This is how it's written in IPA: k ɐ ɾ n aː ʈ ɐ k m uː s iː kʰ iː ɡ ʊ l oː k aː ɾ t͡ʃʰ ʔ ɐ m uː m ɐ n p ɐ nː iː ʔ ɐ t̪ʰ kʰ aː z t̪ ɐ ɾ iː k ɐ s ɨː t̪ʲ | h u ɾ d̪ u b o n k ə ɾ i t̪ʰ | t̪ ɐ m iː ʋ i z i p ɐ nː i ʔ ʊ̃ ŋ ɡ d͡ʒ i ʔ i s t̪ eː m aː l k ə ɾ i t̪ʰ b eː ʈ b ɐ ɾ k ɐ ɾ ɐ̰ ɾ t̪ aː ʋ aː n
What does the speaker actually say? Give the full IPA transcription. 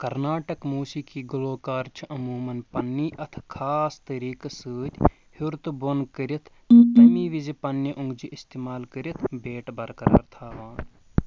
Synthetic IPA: k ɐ ɾ n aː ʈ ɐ k m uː s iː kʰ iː ɡ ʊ l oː k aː ɾ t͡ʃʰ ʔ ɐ m uː m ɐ n p ɐ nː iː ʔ ɐ t̪ʰ kʰ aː s t̪ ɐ ɾ iː k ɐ s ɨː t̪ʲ | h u ɾ t̪ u b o n k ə ɾ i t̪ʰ | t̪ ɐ m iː ʋ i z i p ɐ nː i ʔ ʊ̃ ŋ ɡ d͡ʒ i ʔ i s t̪ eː m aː l k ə ɾ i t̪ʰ b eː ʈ b ɐ ɾ k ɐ ɾ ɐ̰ ɾ t̪ʰ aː ʋ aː n

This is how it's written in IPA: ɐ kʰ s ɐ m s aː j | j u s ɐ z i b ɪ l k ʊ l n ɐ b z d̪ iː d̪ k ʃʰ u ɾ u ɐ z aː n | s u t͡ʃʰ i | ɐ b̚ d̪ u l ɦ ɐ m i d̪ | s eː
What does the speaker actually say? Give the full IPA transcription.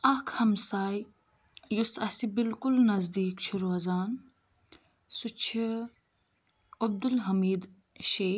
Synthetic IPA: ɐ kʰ h ɐ m s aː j | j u s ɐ s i b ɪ l k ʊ l n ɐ z d̪ iː k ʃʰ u ɾ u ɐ z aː n | s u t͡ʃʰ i | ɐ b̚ d̪ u l ɦ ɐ m iː d̪ | ʃ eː

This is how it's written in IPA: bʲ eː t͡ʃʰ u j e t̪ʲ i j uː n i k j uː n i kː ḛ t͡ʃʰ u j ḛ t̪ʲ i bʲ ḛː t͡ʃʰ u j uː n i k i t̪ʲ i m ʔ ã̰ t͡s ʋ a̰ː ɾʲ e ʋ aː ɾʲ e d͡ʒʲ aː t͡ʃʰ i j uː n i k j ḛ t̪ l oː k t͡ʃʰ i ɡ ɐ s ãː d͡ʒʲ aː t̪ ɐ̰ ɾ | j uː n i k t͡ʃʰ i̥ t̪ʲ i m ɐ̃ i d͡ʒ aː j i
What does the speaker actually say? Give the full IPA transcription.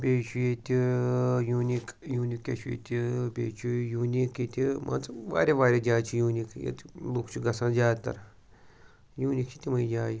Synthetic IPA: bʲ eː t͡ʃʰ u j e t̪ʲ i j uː n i k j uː n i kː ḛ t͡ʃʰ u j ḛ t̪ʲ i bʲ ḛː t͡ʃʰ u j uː n i k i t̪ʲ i m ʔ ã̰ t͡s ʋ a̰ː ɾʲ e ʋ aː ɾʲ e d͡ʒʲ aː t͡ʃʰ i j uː n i k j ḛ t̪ l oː k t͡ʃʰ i ɡ ɐ s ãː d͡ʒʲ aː t̪ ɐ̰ ɾ | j uː n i k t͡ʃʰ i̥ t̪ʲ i m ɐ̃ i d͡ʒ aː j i

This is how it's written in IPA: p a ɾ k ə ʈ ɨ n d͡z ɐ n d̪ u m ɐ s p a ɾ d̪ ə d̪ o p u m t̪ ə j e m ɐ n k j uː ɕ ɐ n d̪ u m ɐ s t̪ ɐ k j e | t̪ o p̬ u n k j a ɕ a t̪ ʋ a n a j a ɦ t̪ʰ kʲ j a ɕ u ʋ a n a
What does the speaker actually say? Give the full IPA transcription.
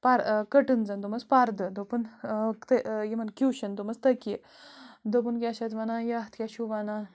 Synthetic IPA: p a ɾ k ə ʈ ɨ n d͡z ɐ n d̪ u m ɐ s p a ɾ d̪ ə d̪ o p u n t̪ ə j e m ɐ n k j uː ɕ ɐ n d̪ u m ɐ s t̪ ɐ k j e | d̪ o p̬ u n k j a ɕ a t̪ ʋ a n a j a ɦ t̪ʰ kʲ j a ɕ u ʋ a n a

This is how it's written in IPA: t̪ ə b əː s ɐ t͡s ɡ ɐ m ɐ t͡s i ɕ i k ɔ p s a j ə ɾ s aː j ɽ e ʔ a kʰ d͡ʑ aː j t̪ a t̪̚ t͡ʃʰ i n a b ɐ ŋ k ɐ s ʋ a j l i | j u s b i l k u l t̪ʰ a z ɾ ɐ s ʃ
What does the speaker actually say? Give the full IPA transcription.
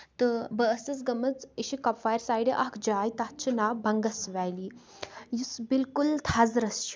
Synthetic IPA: t̪ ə b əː s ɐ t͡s ɡ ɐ m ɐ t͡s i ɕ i k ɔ p f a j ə ɾ s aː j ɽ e ʔ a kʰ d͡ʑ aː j t̪ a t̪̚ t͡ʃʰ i n a b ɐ ŋ ɡ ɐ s ʋ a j l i | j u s b i l k u l t̪ʰ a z ɾ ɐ s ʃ

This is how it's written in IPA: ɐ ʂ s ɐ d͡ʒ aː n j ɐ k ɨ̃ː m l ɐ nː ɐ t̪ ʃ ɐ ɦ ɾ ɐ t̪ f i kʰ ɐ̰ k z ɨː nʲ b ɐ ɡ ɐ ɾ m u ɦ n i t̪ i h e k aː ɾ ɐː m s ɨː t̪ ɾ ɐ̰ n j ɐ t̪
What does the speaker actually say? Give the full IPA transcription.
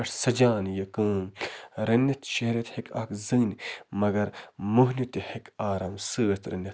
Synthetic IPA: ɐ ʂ s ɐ d͡ʒ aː n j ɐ k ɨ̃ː m ɾ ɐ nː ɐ t̪ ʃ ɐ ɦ ɾ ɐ t̪ h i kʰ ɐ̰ k z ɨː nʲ m ɐ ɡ ɐ ɾ m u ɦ n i t̪ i h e k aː ɾ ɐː m s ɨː t̪ ɾ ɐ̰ n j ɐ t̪

